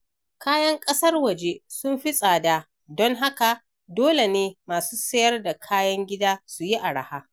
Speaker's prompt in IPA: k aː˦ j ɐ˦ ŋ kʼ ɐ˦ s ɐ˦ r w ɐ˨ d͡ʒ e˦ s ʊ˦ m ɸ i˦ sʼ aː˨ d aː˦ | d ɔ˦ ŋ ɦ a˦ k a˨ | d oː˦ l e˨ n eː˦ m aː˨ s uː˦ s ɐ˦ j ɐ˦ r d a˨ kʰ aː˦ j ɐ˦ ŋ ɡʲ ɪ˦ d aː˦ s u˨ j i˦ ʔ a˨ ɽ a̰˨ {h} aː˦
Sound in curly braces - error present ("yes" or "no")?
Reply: no